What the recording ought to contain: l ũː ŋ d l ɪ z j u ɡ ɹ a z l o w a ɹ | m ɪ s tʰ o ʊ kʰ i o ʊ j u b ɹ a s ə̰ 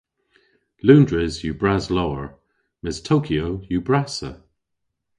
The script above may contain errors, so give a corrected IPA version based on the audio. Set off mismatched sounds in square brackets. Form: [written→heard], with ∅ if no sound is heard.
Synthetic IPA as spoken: l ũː [ŋ→n] d [l→ɹ] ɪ z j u [ɡ→b] ɹ a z l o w [a→ə] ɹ | m ɪ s tʰ o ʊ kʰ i o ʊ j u b ɹ a s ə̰